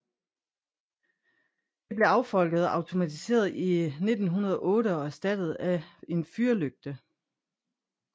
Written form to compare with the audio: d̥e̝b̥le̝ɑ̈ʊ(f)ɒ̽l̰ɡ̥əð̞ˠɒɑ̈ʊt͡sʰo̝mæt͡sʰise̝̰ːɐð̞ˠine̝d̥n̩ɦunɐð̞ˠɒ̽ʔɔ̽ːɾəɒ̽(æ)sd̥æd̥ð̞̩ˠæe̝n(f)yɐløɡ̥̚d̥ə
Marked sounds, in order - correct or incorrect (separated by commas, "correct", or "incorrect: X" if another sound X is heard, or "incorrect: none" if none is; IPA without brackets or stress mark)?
correct, correct, correct